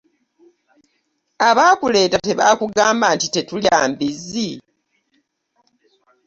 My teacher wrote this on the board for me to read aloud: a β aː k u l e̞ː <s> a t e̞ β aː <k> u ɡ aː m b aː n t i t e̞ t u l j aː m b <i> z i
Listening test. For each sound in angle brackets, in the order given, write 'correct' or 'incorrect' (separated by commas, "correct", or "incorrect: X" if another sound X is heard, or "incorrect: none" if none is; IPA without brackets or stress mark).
incorrect: t, correct, correct